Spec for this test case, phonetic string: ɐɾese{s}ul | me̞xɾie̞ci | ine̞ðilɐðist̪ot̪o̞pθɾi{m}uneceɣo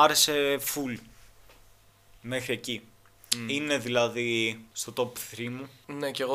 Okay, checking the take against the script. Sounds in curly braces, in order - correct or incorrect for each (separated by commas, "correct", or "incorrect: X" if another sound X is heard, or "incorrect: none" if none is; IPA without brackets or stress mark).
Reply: incorrect: f, correct